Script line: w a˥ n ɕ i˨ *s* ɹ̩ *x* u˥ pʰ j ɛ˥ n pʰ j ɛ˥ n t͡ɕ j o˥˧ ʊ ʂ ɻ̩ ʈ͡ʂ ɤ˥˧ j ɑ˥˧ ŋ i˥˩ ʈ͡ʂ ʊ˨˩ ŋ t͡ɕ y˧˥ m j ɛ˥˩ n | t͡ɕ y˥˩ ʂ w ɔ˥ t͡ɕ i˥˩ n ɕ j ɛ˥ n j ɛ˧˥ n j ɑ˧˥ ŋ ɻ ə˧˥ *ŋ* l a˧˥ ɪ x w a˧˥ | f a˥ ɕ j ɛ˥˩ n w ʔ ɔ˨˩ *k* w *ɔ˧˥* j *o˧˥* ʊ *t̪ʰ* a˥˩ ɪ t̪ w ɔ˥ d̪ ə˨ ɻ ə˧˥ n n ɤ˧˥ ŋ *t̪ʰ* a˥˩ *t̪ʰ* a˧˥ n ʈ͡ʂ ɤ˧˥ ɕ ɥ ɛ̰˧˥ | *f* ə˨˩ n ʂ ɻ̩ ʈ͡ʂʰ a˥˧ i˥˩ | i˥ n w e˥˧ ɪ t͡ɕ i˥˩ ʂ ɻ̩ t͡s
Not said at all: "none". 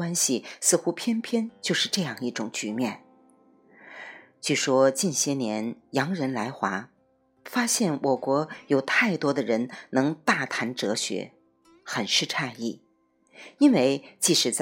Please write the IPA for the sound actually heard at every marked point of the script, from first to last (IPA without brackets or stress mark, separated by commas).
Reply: s, x, n, k, ɔ˧˥, o˨˩, t̪ʰ, t̪, t̪ʰ, x